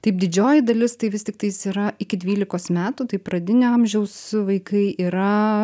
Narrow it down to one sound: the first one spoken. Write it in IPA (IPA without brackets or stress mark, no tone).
t̪